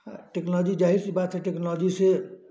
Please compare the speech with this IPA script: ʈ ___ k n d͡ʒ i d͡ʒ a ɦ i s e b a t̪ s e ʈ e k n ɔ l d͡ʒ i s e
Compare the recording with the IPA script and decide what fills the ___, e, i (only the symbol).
e